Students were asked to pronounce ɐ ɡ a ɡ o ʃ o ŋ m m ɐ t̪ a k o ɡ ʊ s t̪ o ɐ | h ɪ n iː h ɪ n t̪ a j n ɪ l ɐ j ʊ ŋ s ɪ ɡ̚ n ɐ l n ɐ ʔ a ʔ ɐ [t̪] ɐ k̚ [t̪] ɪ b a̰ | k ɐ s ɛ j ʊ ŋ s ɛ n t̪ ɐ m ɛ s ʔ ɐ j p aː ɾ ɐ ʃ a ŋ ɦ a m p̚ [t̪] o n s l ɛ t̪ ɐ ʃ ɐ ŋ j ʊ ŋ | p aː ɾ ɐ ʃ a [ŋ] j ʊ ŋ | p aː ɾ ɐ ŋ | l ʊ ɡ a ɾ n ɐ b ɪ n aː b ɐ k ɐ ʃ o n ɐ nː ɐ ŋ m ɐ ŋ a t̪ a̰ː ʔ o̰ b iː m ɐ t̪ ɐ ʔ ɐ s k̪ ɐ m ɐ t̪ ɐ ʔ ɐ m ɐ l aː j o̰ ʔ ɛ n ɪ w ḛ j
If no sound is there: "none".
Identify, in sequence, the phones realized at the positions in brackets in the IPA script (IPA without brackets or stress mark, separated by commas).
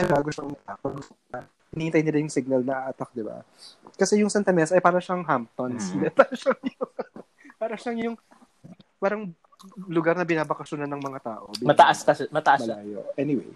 t̪, d̪, t̪, ŋ